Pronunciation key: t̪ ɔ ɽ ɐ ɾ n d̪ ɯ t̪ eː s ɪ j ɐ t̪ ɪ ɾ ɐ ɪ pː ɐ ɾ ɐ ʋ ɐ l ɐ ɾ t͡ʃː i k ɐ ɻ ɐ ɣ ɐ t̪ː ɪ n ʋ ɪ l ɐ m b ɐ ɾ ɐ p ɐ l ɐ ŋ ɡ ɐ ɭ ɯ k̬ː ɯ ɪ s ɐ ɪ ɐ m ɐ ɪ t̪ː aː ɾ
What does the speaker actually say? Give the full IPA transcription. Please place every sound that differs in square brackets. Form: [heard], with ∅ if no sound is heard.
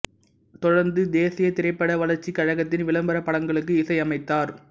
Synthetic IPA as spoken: t̪ ɔ ɽ ɐ ɾ n d̪ ɯ [d̪] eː s ɪ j ɐ t̪ ɪ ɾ ɐ ɪ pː ɐ [ɽ] ɐ ʋ ɐ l ɐ ɾ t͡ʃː i k ɐ ɻ ɐ ɣ ɐ t̪ː ɪ n ʋ ɪ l ɐ m b ɐ ɾ ɐ p ɐ [ɽ] ɐ ŋ ɡ ɐ ɭ ɯ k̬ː ɯ ɪ s ɐ ɪ ɐ m ɐ ɪ t̪ː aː ɾ